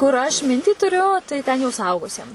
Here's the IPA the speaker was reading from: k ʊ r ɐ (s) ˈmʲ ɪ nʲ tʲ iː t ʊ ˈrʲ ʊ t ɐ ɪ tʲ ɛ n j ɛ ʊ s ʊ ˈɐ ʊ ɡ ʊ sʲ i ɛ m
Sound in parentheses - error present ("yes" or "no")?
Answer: yes